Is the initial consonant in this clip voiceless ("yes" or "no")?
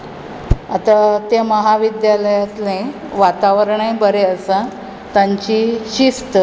yes